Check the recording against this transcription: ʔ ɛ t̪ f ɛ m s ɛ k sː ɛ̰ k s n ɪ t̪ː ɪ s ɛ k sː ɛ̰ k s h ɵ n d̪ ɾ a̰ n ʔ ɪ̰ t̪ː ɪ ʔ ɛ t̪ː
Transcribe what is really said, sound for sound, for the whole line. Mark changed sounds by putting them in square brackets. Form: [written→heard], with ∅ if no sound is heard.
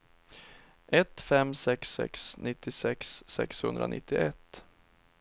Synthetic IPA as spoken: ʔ ɛ t̪ f ɛ m s ɛ k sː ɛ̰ k s n ɪ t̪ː ɪ s ɛ k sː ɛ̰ k s h ɵ n d̪ ɾ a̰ n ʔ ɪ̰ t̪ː ɪ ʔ ɛ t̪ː